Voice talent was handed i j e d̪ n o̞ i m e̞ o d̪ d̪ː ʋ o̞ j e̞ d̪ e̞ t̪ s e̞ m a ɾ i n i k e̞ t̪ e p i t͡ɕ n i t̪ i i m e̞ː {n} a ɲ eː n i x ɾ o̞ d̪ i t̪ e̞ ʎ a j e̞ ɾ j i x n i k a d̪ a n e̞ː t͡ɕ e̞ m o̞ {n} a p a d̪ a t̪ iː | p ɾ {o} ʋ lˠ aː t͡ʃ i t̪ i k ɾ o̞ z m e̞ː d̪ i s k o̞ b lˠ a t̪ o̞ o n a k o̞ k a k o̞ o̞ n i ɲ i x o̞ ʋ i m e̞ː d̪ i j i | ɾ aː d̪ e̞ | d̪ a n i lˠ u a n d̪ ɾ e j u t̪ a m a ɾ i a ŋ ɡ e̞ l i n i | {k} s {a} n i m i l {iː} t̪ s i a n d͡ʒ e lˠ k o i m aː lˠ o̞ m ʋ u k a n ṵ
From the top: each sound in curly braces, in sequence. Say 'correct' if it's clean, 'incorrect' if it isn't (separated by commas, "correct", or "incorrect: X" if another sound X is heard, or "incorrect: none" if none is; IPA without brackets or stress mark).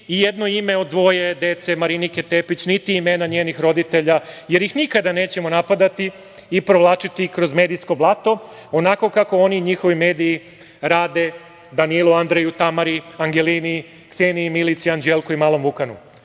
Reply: correct, correct, correct, correct, incorrect: e, incorrect: i